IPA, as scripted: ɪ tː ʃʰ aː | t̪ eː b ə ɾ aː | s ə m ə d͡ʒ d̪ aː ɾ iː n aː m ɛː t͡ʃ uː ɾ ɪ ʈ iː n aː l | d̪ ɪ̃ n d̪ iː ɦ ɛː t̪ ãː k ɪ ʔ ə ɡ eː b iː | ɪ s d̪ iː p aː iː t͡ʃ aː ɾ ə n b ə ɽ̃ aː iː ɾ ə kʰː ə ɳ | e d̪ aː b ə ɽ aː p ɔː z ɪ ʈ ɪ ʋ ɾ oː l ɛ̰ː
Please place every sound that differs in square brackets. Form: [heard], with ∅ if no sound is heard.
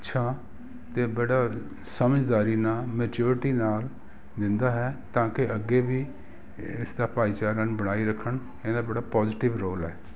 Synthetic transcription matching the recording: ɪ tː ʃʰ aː | t̪ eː b ə [ɽ] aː | s ə m ə d͡ʒ d̪ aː ɾ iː n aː m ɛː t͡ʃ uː ɾ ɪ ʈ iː n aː l | d̪ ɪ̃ n d̪ [aː] ɦ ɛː t̪ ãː k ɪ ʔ ə ɡ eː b iː | ɪ s d̪ [aː] p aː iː t͡ʃ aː ɾ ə n b ə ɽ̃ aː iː ɾ ə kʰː ə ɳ | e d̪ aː b ə ɽ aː p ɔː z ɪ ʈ ɪ ʋ ɾ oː l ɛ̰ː